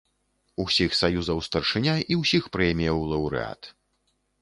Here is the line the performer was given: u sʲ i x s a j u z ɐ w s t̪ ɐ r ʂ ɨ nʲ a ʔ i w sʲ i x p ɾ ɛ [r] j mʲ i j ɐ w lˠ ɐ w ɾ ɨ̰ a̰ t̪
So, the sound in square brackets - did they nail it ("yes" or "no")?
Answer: no